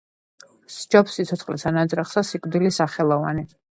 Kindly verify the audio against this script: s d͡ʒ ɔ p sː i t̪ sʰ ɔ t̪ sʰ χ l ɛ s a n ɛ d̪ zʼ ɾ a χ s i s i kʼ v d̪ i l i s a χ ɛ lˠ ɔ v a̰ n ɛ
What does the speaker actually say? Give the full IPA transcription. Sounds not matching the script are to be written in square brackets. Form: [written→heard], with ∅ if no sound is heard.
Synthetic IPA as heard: s d͡ʒ ɔ p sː i t̪ sʰ ɔ t̪ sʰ χ l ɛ s a n [ɛ→a] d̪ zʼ ɾ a χ s [i→a] s i kʼ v d̪ i l i s a χ ɛ lˠ ɔ v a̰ n [ɛ→i]